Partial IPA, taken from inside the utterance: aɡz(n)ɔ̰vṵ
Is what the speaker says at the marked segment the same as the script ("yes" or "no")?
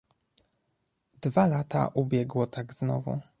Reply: yes